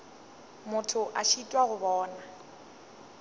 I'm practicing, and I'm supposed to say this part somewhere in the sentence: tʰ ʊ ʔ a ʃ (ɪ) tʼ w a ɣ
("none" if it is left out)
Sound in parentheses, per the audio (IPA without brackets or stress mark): i